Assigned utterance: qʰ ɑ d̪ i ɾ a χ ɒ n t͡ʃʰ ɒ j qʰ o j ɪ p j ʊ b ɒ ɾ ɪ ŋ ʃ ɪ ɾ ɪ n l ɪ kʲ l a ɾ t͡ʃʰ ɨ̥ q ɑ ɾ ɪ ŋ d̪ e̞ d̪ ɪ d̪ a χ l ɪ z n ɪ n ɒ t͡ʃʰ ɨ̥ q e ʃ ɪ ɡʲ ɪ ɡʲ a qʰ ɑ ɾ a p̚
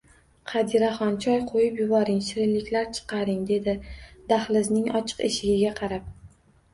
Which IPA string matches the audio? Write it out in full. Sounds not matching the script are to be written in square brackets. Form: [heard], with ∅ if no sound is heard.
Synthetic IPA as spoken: qʰ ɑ d̪ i ɾ a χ ɒ n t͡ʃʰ ɒ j qʰ o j ɪ p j ʊ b ɒ ɾ ɪ ŋ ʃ ɪ ɾ ɪ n l ɪ kʲ l a ɾ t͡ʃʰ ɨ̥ q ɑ ɾ ɪ ŋ d̪ e̞ d̪ ɪ d̪ a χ l ɪ z n ɪ [ŋ] ɒ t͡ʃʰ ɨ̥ q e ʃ ɪ ɡʲ ɪ ɡʲ a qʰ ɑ ɾ a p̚